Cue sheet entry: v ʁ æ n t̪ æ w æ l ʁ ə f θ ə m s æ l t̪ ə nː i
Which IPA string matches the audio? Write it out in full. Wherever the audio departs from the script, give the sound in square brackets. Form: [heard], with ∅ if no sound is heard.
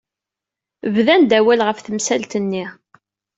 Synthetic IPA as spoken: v [ð] æ n [d̪] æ w æ l ʁ ə f θ ə m s æ l t̪ ə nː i